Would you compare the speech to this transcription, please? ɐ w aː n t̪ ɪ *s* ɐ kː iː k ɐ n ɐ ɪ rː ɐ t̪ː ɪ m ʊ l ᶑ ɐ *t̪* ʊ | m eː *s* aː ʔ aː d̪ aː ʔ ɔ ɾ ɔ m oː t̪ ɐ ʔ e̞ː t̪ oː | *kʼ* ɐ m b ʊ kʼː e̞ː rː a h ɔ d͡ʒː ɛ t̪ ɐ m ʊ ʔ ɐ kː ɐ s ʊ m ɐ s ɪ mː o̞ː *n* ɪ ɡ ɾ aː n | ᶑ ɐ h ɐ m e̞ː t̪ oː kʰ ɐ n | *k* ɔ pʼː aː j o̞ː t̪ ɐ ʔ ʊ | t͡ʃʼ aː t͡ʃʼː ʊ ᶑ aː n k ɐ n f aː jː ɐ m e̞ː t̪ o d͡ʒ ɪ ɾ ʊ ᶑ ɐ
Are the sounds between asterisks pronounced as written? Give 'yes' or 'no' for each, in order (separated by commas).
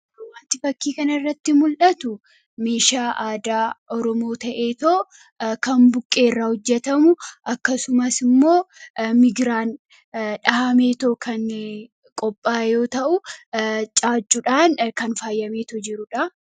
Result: no, yes, no, no, no, no